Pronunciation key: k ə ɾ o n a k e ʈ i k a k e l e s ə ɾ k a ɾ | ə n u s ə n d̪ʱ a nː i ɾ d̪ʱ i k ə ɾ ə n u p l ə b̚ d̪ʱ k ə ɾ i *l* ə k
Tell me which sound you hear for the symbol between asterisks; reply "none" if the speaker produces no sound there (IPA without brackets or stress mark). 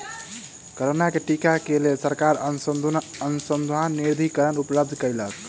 l